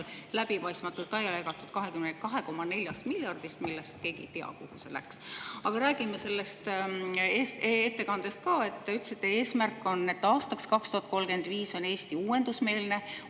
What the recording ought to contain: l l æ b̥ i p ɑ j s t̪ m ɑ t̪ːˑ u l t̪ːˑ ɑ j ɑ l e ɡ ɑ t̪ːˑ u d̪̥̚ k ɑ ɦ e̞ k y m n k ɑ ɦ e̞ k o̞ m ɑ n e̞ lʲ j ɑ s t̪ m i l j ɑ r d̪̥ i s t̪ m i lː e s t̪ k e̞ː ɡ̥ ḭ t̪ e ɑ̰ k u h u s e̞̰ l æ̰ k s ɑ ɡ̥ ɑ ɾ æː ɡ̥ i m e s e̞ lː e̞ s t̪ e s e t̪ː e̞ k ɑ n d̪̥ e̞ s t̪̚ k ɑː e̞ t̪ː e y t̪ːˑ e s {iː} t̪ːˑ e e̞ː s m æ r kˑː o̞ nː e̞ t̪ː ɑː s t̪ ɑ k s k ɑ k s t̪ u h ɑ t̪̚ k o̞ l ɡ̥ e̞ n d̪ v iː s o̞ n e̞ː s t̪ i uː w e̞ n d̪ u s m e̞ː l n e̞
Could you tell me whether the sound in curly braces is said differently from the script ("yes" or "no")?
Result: yes